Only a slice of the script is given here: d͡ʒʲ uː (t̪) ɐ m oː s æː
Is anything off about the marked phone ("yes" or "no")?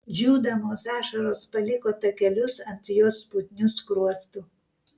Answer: yes